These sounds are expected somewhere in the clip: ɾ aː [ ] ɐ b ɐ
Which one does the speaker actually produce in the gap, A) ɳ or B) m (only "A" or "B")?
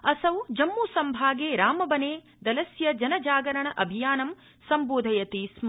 B